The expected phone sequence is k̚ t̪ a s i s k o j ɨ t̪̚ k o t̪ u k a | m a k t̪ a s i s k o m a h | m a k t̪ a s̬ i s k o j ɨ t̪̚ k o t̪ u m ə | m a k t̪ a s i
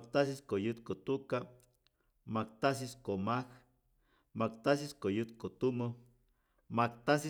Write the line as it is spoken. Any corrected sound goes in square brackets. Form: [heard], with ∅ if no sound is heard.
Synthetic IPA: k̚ t̪ a s i s k o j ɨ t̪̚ k o t̪ u k a | m a k t̪ a s i s k o m a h | m a k t̪ a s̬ i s k o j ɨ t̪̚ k o t̪ u m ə | m a k t̪ a s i

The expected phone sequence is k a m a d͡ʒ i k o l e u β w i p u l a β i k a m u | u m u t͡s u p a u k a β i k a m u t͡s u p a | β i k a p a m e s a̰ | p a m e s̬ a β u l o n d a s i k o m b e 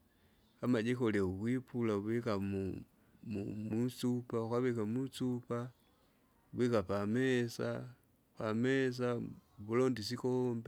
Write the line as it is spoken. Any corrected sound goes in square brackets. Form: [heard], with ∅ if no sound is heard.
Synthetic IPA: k a m a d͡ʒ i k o l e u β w i p u l a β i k a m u | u m u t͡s u p a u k a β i k a m u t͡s u p a | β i k a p a m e s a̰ | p a m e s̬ a β u l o n d [i] s i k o m b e

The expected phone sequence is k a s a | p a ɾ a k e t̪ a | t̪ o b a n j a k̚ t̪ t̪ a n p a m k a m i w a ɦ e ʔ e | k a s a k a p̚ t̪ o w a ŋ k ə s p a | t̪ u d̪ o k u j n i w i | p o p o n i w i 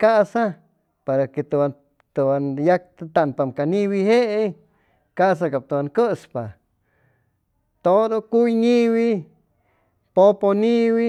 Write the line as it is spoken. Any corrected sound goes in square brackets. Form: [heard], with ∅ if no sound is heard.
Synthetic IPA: k a s a | p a ɾ a k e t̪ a | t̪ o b a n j a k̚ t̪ t̪ a n p a m k a [n] i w [i] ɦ e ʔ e | k a s a k a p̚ t̪ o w a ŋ k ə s p a | t̪ [o] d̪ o k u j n i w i | p o p o n i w i

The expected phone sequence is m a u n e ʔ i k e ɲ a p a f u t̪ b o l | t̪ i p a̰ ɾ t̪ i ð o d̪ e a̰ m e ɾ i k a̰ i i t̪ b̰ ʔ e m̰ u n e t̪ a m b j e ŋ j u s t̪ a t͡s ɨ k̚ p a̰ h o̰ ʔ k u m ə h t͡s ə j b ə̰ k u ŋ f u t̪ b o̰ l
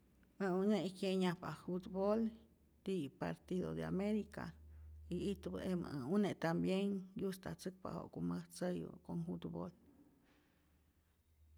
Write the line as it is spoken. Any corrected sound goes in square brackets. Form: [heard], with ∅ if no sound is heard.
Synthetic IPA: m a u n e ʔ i k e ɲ a p a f u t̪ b o l | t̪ i p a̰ ɾ t̪ i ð o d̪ e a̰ m e ɾ i k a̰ i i t̪ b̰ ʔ e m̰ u n e t̪ a m b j e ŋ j u s t̪ a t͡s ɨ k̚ p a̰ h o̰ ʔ k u m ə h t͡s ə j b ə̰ k [o] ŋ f u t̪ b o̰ l

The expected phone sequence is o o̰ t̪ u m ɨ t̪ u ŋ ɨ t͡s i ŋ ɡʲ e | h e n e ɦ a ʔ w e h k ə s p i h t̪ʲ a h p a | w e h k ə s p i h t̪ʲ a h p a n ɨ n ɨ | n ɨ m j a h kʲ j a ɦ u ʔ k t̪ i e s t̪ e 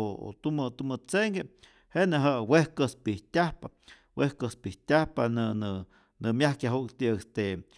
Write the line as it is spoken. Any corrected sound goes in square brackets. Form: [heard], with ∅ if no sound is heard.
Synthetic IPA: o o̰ t̪ u m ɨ t̪ u [m] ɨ t͡s [e] ŋ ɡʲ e | h e n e ɦ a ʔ w e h k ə s p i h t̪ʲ a h p a | w e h k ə s p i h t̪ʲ a h p a n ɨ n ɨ | n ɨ m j a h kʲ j a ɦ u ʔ k t̪ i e s t̪ e

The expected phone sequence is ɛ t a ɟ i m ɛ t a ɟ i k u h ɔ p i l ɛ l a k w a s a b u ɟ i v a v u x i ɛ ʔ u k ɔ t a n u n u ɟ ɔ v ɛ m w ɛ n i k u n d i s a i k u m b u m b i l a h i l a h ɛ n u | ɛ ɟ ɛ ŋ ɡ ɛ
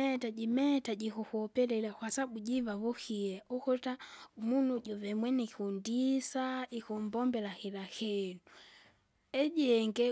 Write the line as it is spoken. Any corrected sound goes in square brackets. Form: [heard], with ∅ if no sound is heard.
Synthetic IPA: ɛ t a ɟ i m ɛ t a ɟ i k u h ɔ p [ɛ] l ɛ l a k w a s a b u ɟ i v a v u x i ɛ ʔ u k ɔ t a [m] u n u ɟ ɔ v ɛ m w ɛ n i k u n d i s a i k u m b [ɔ] m b [ɛ] l a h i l a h ɛ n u | ɛ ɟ ɛ ŋ ɡ ɛ

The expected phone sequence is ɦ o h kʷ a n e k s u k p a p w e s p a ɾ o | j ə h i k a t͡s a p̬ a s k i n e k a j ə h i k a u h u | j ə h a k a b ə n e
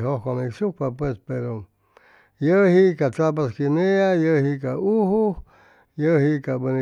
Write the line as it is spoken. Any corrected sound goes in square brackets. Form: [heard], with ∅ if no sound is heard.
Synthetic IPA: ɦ o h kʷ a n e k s u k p a p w e s p [e] ɾ o | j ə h i k a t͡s a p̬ a s k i n e [∅] a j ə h i k a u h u | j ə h [i] k a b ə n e

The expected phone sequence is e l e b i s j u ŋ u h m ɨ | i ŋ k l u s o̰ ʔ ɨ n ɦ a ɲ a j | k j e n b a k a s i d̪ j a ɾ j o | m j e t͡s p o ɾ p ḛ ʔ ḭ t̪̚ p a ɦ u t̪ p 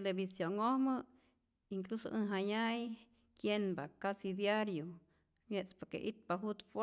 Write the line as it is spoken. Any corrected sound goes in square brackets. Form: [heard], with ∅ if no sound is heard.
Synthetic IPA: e l e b i s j [o] ŋ [o] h m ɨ | i ŋ k l u s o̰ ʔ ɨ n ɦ a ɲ a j | k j e n b a k a s i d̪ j a ɾ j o | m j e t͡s p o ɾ [k] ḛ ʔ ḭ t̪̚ p a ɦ u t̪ p

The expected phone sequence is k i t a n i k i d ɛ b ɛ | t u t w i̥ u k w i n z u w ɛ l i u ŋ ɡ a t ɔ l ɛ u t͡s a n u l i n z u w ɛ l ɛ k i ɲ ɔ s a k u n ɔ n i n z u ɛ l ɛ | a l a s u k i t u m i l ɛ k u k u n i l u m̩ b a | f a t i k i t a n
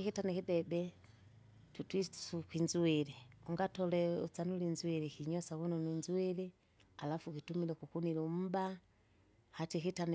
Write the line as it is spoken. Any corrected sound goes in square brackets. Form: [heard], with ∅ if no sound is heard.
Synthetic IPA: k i t a n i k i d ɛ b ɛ | t u t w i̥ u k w i n z u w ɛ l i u ŋ ɡ a t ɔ l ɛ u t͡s a n u l i n z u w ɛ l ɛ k i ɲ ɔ s a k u n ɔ n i n z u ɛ l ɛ | a l a [f] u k i t u m i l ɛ k u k u n i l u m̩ b a | [h] a t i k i t a n

